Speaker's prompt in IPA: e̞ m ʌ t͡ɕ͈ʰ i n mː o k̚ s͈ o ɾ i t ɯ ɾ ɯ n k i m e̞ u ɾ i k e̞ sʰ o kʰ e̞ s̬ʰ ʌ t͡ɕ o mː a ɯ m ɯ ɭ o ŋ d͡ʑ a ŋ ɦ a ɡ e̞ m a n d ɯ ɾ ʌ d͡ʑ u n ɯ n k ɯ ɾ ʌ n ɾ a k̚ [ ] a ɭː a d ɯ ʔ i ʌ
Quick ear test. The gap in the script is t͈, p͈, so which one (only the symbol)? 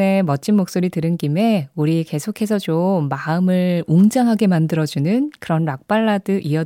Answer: p͈